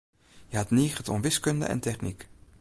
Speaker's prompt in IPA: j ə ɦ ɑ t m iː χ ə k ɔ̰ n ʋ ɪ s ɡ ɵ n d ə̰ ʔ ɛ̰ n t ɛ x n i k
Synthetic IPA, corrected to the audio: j ə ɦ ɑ t n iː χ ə t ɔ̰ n ʋ ɪ s k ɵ n d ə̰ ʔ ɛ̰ n t ɛ χ n i k